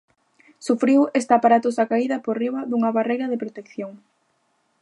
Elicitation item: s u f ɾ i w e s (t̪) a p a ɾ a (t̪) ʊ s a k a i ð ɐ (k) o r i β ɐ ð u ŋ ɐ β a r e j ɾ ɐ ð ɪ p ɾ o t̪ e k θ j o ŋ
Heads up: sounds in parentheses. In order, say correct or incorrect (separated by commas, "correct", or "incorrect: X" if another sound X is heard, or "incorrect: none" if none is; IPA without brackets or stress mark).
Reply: correct, correct, incorrect: p